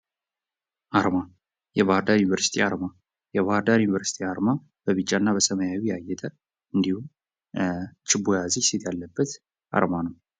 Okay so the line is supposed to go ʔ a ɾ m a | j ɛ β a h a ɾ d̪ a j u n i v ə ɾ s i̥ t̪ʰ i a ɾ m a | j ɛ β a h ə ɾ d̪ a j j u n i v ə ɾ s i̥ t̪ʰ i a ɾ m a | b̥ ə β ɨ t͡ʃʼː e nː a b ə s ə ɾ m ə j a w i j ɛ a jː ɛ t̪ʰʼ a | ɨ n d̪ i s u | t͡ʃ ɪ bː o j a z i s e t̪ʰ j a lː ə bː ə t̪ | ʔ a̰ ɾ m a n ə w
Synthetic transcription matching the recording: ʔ a ɾ m a | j ɛ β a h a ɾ d̪ a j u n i v ə ɾ s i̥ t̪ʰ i a ɾ m a | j ɛ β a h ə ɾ d̪ a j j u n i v ə ɾ s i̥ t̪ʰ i a ɾ m a | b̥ ə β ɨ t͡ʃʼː a nː a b ə s ə m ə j a w i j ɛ a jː ɛ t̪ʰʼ ə | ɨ n d̪ i h u | t͡ʃ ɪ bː o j a z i s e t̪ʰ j a lː ə bː ə t̪ | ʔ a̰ ɾ m a n ə w